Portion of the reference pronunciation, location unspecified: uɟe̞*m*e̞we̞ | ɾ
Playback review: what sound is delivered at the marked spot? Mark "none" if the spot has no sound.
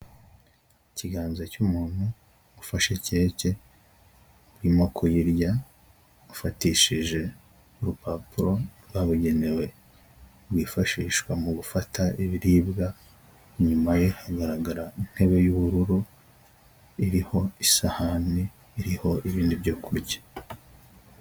n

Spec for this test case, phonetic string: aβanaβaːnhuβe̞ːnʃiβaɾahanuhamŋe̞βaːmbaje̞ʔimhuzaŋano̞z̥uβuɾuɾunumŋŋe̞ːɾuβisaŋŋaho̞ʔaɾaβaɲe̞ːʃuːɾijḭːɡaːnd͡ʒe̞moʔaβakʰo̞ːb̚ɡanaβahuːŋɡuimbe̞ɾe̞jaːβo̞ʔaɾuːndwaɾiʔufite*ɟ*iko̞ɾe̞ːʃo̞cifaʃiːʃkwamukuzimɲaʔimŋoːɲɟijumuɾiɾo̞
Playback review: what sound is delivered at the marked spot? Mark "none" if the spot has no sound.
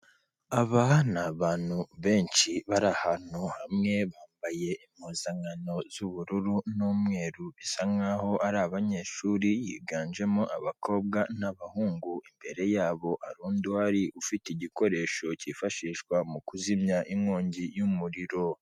ɟ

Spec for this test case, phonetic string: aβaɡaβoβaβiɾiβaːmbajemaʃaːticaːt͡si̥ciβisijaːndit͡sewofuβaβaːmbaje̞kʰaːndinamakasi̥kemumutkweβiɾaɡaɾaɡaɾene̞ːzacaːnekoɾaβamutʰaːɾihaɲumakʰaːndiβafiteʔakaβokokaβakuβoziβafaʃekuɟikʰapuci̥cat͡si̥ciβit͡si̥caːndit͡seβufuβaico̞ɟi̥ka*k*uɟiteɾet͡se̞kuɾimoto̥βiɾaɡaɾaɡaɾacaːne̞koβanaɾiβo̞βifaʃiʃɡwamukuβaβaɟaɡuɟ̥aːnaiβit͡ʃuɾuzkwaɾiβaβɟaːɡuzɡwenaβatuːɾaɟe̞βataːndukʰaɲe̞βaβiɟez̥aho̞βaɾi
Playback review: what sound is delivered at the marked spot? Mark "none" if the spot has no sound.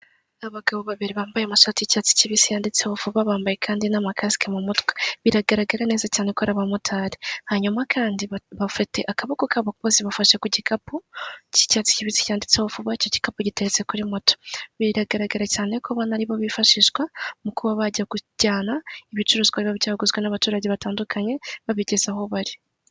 p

